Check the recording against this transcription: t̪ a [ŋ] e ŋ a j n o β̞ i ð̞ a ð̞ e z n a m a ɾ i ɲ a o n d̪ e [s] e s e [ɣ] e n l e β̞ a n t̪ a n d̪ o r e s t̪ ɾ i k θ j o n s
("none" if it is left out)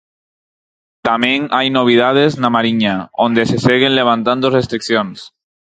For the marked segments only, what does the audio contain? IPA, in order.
m, s, ɣ

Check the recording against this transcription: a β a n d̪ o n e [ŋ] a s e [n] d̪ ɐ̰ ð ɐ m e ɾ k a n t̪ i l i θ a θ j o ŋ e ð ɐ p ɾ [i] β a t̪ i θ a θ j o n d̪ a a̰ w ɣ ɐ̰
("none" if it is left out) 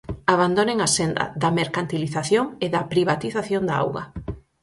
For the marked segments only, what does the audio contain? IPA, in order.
ŋ, n, i

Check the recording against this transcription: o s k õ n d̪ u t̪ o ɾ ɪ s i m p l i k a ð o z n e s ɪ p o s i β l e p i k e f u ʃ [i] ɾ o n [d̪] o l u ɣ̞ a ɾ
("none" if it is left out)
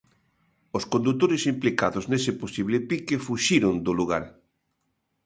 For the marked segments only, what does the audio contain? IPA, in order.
i, d̪

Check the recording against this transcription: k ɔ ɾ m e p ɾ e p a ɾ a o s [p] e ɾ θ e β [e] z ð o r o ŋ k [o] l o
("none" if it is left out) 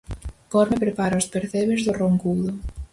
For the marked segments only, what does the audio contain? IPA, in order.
p, e, u

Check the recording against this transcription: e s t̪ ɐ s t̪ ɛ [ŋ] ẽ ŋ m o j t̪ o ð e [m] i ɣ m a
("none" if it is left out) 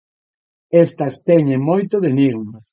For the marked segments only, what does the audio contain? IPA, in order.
ɲ, n

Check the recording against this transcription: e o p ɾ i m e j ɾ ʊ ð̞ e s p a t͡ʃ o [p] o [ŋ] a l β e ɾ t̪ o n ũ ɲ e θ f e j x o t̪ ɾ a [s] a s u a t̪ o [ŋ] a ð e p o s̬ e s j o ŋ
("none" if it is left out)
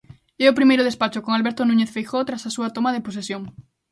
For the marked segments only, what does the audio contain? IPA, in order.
k, ŋ, s, m

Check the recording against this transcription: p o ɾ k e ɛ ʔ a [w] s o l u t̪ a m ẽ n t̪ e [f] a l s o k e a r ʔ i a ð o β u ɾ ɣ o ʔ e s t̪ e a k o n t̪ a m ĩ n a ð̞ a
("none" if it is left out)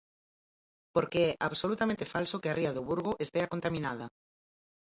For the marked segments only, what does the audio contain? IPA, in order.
β, f

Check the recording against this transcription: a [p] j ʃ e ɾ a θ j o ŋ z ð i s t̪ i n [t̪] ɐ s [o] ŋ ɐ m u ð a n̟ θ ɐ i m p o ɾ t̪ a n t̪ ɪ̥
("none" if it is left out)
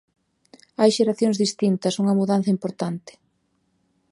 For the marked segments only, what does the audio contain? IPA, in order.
none, t̪, u

